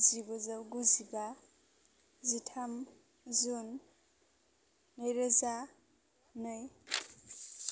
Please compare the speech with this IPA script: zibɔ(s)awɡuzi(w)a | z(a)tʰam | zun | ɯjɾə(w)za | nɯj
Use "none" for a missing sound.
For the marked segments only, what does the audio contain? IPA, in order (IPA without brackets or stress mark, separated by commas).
z, b, i, none